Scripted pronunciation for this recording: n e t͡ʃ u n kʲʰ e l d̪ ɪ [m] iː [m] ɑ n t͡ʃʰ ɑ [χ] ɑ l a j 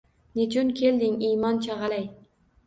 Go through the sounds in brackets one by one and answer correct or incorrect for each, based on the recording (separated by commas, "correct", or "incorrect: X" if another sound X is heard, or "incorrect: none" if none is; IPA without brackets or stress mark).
incorrect: ŋ, correct, incorrect: ʁ